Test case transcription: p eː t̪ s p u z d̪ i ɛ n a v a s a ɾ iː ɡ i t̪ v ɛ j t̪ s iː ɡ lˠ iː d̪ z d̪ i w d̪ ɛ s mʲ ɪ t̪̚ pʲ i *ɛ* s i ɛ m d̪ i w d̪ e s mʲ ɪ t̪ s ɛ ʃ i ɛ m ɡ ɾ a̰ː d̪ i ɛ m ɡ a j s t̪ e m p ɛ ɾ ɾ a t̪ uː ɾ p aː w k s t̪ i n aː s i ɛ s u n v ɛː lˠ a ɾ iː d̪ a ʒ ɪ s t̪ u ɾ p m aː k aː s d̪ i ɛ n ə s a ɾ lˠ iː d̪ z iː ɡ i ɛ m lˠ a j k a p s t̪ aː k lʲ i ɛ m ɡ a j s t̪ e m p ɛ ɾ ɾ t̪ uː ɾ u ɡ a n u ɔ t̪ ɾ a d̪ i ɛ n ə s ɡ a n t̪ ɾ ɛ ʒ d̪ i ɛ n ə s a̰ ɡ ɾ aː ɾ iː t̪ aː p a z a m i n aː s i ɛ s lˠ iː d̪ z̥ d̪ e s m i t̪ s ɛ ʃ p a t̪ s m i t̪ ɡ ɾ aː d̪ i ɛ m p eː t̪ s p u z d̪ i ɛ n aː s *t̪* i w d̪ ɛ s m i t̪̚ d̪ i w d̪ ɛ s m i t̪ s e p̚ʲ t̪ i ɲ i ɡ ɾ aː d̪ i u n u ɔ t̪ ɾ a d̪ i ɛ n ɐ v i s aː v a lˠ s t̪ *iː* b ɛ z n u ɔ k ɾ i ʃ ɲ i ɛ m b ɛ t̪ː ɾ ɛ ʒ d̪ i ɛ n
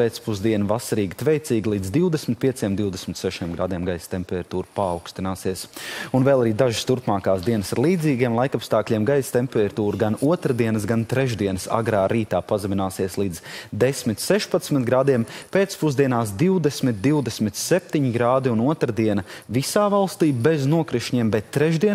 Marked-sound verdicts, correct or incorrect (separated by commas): correct, incorrect, correct